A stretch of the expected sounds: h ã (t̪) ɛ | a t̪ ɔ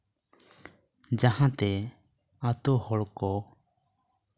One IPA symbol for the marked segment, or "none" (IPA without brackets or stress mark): t̪